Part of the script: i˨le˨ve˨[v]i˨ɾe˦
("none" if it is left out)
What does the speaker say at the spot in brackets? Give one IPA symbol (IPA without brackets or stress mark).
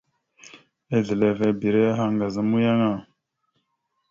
b